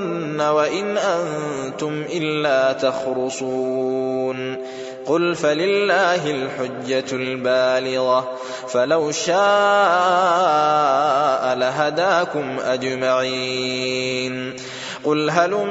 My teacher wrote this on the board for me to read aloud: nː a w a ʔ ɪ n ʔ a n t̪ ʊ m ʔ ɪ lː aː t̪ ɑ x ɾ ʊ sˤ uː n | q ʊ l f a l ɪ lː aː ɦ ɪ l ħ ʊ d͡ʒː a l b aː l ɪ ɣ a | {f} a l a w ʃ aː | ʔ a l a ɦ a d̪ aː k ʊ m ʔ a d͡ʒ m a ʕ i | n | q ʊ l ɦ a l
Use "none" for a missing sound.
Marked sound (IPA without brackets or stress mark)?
f